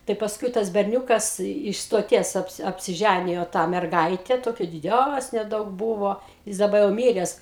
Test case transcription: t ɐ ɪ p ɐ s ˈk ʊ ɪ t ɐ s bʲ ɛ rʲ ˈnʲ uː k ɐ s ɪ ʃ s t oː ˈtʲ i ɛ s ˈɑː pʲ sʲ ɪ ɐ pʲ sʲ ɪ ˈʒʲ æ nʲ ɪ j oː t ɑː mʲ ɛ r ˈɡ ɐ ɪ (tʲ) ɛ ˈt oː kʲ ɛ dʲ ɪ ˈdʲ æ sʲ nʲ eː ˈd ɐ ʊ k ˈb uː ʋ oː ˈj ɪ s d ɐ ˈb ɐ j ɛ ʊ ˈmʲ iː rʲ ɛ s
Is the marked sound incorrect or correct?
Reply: correct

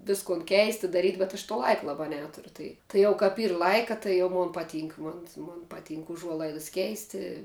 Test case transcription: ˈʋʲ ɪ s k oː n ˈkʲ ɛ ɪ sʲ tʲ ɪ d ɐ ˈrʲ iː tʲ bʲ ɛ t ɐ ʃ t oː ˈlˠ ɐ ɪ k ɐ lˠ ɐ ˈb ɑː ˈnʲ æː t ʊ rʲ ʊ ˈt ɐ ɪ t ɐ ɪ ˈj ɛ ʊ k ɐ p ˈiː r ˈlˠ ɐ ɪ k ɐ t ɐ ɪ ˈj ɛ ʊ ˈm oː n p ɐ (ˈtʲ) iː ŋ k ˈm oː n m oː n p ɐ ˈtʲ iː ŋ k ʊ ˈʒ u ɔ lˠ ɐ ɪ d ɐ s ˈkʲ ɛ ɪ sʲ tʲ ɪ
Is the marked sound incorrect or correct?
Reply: correct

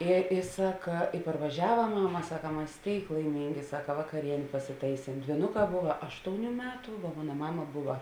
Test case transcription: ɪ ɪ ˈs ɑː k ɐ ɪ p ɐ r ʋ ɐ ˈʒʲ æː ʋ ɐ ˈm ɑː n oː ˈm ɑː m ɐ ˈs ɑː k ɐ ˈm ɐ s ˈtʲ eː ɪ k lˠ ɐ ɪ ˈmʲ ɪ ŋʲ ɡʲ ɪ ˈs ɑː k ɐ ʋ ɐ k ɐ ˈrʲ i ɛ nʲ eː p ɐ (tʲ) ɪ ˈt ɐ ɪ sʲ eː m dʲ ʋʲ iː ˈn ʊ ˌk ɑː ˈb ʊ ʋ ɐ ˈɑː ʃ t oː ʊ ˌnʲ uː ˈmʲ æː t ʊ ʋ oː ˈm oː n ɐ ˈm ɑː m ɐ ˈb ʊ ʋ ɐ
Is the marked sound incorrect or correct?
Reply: incorrect: sʲ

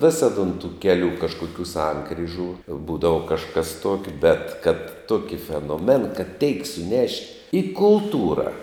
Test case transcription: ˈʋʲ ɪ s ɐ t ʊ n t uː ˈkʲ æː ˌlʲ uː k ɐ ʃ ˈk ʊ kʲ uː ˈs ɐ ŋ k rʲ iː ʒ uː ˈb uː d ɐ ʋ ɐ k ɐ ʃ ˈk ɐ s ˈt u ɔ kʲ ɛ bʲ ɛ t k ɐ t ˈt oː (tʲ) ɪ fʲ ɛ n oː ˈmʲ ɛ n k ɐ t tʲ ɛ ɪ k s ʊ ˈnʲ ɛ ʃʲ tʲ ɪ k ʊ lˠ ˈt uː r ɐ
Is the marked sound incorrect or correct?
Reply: incorrect: kʲ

